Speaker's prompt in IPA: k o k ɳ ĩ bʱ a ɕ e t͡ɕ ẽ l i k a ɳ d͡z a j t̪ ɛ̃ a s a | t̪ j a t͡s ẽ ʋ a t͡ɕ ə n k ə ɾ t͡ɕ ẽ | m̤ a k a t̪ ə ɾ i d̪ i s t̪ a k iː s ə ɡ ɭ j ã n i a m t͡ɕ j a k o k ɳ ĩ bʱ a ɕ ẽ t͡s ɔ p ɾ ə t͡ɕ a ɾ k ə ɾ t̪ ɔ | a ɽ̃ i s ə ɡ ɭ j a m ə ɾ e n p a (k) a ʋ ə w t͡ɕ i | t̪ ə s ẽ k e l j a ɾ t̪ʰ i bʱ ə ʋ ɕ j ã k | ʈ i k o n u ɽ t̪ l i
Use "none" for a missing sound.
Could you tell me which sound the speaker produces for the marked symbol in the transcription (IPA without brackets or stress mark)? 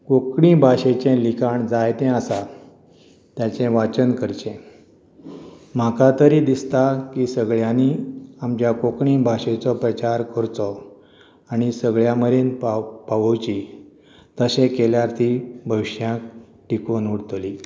p